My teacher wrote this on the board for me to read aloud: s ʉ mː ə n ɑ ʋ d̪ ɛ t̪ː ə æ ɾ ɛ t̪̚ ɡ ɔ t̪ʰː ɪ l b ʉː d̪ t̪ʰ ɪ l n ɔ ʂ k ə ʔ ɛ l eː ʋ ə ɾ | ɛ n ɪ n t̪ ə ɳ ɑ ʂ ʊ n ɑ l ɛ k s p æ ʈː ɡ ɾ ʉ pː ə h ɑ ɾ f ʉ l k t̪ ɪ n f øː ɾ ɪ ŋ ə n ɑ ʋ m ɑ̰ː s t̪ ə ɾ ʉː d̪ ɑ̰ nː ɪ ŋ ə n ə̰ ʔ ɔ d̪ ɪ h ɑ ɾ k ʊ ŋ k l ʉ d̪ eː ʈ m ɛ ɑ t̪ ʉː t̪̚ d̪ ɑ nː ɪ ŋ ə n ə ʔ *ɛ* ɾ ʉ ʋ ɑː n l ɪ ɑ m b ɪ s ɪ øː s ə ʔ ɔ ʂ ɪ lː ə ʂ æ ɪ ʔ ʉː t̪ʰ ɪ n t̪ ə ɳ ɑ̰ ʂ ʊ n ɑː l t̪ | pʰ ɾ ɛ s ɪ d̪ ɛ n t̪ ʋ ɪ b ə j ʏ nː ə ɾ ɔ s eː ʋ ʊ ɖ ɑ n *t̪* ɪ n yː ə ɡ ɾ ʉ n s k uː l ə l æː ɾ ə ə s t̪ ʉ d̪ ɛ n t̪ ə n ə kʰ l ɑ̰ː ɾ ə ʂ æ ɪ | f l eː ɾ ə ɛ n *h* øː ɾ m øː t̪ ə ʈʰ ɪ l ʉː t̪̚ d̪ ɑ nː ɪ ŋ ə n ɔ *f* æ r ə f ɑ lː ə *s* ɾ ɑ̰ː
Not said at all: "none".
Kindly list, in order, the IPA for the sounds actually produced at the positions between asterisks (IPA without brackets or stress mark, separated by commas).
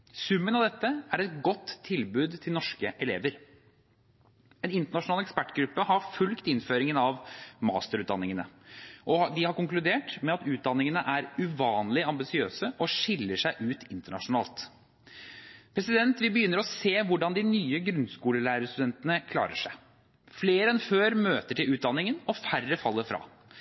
æ, d̪, f, f, f